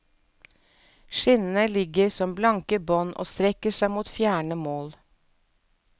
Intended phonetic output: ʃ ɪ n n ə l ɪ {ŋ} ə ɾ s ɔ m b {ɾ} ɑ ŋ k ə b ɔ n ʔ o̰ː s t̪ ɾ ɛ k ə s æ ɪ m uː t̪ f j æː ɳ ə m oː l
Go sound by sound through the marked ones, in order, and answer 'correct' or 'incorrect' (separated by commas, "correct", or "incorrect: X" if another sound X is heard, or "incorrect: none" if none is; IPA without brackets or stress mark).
incorrect: ɡ, incorrect: l